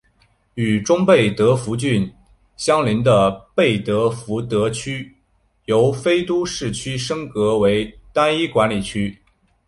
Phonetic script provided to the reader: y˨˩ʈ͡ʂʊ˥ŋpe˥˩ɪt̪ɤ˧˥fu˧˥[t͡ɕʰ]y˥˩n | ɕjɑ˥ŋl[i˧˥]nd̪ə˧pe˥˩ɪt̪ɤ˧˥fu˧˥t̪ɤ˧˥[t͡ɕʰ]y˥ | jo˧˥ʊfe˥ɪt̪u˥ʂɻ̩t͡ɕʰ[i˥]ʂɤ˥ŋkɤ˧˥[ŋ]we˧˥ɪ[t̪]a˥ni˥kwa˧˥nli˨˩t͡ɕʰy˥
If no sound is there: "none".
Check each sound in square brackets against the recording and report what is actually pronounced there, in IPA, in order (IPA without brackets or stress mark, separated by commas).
t͡ɕ, i˧˥, t͡ɕʰ, y˥, none, t̪